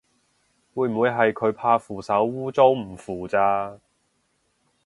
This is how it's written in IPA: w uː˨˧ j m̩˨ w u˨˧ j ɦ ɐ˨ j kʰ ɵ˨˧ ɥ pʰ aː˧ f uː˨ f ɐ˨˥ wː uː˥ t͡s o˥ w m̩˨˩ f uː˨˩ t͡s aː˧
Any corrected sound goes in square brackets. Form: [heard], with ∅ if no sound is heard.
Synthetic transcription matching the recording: w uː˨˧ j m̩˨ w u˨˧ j ɦ ɐ˨ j kʰ ɵ˨˧ ɥ pʰ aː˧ f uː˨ [s] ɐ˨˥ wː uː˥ t͡s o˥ w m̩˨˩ f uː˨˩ t͡s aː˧